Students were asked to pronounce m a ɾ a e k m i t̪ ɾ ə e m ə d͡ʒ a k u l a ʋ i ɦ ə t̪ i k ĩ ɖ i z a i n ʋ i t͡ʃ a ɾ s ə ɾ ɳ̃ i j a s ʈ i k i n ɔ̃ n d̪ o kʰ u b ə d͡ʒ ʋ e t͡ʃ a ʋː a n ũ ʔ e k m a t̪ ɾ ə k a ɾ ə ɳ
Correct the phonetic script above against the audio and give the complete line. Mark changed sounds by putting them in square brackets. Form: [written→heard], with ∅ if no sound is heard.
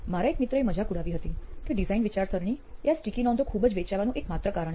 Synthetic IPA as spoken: m a ɾ a e k m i t̪ ɾ ə e m ə d͡ʒ a k u [l→ɽ] a ʋ i ɦ ə t̪ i k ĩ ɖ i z a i n ʋ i t͡ʃ a ɾ s ə ɾ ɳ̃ i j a s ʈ i k i n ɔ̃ n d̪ o kʰ u b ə d͡ʒ ʋ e t͡ʃ a [ʋː→ʋ] a n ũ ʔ e k m a t̪ ɾ ə k a ɾ ə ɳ